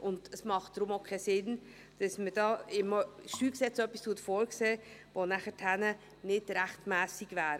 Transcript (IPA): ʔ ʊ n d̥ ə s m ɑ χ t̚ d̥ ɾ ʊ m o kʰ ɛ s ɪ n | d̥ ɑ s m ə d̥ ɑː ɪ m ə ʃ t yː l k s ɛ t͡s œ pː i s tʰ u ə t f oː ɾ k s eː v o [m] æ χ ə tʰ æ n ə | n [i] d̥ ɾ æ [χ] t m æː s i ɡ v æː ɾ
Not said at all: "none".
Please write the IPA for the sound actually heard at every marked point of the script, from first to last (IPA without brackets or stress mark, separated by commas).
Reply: n, ɪ, χ